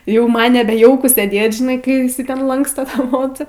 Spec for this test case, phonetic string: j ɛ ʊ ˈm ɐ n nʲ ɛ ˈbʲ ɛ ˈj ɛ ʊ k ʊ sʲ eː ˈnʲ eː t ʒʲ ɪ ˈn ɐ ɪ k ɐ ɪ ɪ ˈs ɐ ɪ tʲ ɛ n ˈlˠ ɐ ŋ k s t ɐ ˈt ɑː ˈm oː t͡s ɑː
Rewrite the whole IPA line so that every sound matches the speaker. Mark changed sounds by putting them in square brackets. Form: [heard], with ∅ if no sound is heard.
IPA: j ɛ ʊ ˈm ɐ n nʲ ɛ ˈbʲ ɛ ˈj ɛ ʊ k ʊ sʲ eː [ˈdʲ] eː t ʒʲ ɪ ˈn ɐ ɪ k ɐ ɪ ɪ ˈs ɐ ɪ tʲ ɛ n ˈlˠ ɐ ŋ k s t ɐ ˈt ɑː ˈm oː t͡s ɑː